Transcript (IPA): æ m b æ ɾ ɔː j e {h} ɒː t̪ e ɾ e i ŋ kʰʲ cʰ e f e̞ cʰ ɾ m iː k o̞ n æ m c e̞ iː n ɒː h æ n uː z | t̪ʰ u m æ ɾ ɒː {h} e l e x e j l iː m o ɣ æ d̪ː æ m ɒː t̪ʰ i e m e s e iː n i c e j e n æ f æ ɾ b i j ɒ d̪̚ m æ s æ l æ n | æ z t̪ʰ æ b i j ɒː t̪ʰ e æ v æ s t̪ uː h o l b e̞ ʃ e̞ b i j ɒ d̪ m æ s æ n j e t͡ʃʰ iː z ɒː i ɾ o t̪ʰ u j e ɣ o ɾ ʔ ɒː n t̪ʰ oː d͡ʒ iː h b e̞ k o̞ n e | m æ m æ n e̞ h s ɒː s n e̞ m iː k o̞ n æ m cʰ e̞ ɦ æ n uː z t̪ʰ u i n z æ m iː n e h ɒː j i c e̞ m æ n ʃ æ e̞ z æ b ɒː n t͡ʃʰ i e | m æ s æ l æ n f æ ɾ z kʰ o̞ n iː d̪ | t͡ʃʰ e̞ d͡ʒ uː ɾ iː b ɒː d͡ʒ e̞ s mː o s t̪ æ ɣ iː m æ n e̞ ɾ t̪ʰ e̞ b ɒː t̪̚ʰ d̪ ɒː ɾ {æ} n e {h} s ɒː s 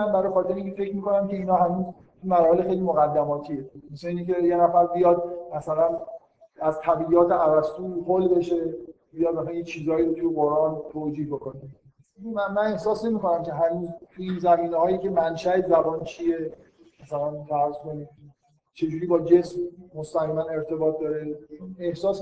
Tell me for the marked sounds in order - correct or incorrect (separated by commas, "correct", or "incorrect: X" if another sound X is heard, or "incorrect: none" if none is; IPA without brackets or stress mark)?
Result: incorrect: x, correct, incorrect: e, correct